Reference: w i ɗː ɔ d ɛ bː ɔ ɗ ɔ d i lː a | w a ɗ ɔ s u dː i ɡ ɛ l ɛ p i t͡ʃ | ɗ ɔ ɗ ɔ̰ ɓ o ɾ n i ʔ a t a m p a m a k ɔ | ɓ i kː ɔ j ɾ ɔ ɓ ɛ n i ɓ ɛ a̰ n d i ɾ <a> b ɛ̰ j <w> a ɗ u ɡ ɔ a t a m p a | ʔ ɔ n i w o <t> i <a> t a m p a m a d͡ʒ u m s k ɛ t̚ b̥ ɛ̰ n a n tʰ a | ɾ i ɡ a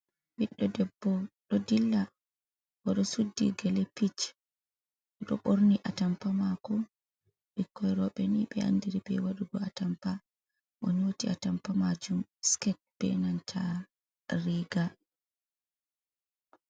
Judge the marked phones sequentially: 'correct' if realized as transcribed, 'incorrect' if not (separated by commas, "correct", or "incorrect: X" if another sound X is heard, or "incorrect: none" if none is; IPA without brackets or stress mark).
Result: incorrect: i, correct, correct, correct